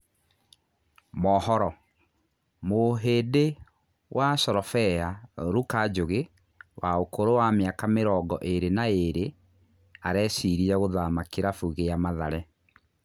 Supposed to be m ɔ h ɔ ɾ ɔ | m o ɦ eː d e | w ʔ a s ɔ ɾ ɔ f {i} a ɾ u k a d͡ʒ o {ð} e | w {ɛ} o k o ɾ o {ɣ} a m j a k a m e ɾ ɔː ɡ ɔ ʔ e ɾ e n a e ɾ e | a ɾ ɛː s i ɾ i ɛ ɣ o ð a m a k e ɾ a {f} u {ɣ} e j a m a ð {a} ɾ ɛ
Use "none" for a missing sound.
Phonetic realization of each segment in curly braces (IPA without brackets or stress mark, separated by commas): ɛ, ɣ, a, w, f, ɣ, a